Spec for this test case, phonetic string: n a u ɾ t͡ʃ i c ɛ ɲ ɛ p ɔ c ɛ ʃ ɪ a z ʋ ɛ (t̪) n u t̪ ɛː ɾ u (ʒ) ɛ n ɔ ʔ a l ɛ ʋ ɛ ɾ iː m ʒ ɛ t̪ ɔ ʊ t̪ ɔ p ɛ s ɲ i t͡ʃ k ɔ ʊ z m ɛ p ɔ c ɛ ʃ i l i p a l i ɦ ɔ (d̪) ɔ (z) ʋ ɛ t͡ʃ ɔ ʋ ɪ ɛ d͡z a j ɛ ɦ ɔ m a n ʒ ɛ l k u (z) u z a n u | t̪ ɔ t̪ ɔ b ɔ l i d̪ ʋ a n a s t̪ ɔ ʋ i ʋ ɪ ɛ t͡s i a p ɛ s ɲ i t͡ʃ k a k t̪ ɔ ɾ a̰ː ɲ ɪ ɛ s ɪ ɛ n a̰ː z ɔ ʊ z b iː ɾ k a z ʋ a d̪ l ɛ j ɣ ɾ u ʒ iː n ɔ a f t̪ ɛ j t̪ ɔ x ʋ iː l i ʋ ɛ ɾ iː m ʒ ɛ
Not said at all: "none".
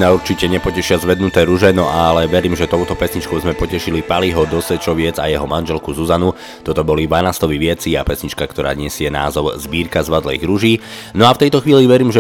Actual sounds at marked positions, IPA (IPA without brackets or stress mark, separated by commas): d̪, ʒ, d̪, s, z